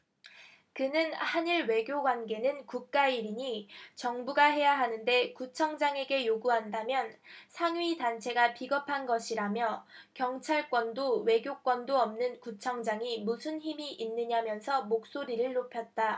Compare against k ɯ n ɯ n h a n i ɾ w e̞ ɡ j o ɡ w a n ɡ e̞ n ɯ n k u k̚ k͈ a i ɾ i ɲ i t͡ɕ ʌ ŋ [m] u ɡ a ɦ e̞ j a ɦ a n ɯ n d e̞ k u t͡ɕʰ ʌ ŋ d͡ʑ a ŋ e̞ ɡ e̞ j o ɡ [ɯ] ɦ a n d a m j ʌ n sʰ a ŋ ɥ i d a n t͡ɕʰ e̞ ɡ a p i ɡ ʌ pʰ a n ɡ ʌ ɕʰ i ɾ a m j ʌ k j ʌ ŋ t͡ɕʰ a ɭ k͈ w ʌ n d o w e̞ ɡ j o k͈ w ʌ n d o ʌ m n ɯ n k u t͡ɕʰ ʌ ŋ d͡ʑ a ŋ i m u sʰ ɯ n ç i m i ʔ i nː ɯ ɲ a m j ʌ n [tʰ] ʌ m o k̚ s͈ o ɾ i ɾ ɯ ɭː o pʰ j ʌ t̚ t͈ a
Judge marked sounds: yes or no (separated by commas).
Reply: no, no, no